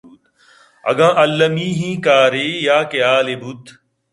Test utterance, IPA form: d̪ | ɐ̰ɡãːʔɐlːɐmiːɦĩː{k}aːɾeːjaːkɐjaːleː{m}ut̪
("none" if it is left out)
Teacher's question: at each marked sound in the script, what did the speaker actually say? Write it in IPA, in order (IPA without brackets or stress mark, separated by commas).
k, b